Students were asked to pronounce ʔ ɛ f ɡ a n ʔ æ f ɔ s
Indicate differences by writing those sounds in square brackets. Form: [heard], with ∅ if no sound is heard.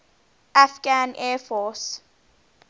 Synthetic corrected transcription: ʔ [a] f ɡ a n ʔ [ɛ] f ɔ s